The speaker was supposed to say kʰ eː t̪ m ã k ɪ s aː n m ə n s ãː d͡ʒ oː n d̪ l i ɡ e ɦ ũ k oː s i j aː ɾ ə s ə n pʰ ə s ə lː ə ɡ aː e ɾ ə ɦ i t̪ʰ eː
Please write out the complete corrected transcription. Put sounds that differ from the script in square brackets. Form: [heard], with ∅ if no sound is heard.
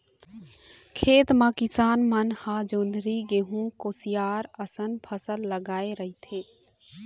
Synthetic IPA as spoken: kʰ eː t̪ m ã k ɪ s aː n m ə n [h] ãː d͡ʒ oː n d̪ [ɾ] i ɡ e ɦ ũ k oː s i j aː ɾ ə s ə n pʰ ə s ə lː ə ɡ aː e ɾ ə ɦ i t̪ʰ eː